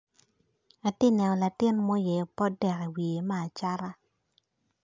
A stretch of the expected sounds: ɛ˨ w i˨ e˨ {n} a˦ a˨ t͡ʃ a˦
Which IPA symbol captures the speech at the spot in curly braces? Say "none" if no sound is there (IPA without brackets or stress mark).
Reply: m